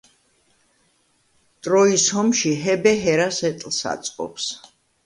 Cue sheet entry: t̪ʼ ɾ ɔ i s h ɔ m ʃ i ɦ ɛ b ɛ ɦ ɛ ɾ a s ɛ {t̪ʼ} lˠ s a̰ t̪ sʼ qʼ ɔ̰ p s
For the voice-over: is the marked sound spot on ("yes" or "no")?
yes